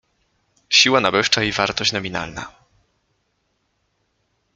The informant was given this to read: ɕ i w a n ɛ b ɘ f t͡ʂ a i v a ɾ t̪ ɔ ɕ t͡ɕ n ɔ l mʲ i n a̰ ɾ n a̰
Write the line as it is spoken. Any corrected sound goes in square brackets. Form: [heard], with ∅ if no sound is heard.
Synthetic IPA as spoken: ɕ i w a n [a] b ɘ [ʂ] t͡ʂ a i v a ɾ t̪ ɔ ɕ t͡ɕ n ɔ [∅] mʲ i n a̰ [l] n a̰